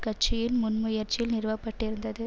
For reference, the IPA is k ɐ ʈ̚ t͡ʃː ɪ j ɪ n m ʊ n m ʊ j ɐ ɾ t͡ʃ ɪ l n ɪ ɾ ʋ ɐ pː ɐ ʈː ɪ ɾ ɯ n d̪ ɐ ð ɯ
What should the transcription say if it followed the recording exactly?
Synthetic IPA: k ɐ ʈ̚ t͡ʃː ɪ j ɪ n m ʊ n m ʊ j ɐ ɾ t͡ʃ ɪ l n ɪ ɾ ʋ ɐ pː ɐ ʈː ɪ ɾ ɯ n d̪ ɐ ð ɯ